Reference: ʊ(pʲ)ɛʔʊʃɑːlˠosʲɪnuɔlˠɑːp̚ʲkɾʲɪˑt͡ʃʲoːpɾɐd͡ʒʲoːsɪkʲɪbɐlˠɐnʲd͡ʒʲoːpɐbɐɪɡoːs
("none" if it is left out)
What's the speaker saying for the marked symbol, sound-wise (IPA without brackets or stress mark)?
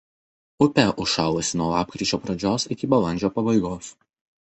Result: pʲ